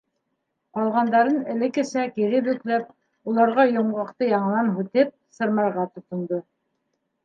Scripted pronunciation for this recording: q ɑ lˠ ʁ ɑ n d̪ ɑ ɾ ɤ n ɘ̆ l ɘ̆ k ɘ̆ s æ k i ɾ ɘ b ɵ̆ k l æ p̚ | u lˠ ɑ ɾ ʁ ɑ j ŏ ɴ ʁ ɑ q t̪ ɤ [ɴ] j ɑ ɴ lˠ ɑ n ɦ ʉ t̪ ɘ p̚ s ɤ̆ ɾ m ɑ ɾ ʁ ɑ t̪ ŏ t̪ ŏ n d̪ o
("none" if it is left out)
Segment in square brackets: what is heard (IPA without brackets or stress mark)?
none